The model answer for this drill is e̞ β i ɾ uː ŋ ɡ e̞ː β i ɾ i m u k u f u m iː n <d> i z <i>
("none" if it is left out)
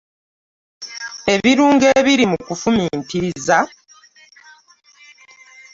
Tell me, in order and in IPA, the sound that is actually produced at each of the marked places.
t, a

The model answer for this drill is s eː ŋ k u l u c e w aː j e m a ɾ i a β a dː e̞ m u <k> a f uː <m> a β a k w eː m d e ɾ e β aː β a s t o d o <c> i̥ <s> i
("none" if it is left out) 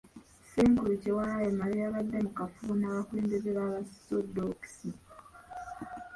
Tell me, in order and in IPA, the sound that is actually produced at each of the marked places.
k, n, k, s

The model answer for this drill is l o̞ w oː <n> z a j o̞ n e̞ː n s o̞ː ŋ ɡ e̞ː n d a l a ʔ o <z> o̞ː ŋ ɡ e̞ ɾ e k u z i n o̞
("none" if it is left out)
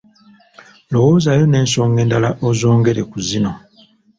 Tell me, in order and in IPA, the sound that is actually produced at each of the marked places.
none, z

